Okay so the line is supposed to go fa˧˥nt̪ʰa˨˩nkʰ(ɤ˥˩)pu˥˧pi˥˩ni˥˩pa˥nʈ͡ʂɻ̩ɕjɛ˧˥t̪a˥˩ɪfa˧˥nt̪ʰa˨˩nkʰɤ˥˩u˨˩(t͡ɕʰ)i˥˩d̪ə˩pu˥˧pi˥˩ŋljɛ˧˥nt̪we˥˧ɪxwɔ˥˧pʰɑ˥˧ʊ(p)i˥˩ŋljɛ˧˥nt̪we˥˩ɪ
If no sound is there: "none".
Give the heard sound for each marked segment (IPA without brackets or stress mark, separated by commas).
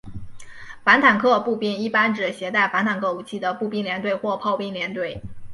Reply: ɤ˥˧, t͡ɕʰ, p